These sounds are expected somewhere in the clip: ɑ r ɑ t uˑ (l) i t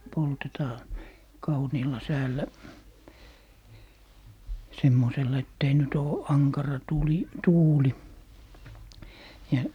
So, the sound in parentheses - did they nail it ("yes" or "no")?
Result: yes